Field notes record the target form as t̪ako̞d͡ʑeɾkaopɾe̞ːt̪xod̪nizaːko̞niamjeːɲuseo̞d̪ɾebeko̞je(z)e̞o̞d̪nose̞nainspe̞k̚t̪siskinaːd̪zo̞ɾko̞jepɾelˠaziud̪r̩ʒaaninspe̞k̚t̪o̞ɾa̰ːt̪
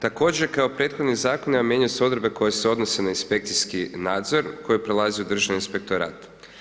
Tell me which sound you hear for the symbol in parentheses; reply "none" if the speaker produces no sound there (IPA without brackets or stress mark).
s